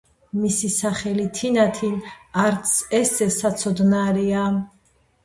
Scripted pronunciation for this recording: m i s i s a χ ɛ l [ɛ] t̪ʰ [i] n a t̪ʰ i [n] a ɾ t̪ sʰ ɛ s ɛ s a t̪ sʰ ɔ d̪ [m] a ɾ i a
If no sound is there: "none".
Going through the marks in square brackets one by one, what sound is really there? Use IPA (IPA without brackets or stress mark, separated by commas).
i, i, n, n